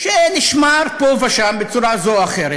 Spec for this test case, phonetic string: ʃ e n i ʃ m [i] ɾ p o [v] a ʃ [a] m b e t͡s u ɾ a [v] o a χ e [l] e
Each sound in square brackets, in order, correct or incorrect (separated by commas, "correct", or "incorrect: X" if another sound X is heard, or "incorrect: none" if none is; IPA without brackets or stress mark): incorrect: a, correct, correct, incorrect: z, incorrect: ɾ